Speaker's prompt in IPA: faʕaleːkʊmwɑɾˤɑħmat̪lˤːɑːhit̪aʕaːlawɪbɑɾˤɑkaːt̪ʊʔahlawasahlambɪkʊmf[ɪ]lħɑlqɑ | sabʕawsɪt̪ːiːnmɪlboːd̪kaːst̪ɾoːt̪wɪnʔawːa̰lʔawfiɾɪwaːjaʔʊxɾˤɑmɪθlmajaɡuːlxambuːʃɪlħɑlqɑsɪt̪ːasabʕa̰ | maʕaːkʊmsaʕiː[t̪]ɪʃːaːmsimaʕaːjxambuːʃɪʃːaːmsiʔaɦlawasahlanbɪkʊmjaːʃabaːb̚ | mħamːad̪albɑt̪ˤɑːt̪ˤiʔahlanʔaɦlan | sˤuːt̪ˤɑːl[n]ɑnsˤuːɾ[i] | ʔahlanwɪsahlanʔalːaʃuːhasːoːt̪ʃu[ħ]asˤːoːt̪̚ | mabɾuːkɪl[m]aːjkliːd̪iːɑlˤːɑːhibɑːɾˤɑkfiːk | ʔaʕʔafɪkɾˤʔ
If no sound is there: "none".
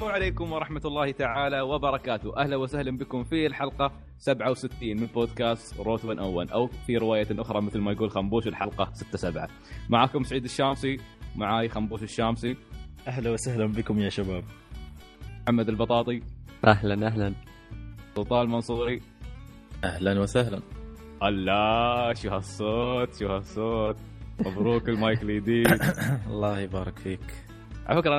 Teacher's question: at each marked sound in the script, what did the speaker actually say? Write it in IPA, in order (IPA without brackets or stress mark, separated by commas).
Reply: i, d̪, m, i, h, m